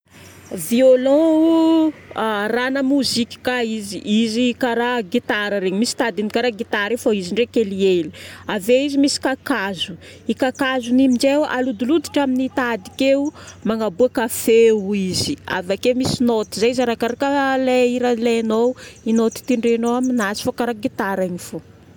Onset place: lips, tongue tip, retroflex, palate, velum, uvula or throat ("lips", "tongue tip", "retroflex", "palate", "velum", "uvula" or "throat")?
lips